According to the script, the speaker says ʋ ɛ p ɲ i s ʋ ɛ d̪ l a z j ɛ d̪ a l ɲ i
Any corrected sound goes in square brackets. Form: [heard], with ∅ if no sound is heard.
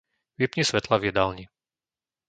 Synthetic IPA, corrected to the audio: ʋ [i] p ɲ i s ʋ ɛ [t̪] l a [v] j ɛ d̪ a l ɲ i